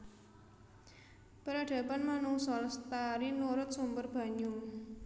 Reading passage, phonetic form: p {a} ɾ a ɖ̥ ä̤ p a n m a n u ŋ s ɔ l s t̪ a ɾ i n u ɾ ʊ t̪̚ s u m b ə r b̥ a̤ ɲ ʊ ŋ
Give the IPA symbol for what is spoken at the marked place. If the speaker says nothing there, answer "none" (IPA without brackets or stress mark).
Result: ə